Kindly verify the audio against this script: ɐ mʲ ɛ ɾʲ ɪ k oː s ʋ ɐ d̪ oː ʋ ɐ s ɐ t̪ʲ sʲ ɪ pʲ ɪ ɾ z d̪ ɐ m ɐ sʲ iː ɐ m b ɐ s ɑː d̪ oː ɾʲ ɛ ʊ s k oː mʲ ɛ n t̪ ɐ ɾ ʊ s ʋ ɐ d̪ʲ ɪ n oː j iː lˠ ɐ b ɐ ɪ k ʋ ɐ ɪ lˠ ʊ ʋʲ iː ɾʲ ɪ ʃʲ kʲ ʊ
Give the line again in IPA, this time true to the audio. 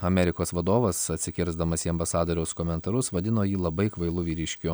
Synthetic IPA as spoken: ɐ mʲ ɛ ɾʲ ɪ k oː s ʋ ɐ d̪ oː ʋ ɐ s ɐ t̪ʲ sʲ ɪ kʲ ɪ ɾ z d̪ ɐ m ɐ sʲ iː ɐ m b ɐ s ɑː d̪ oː ɾʲ ɛ ʊ s k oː mʲ ɛ n t̪ ɐ ɾ ʊ s ʋ ɐ d̪ʲ ɪ n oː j iː lˠ ɐ b ɐ ɪ k ʋ ɐ ɪ lˠ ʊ ʋʲ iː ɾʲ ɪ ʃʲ kʲ ʊ